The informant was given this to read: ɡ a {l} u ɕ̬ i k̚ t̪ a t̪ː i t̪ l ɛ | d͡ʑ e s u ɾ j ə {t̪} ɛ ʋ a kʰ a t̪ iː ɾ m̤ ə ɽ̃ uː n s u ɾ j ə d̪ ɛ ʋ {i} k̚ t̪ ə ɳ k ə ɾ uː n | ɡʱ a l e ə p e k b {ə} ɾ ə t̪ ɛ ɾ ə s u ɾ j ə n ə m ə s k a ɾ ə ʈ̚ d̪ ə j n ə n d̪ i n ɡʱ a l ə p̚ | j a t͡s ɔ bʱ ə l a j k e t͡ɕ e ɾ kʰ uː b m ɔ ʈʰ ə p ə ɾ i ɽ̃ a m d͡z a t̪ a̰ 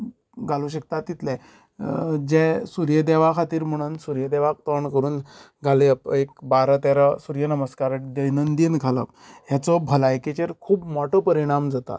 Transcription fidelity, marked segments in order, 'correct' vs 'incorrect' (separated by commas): correct, incorrect, incorrect, incorrect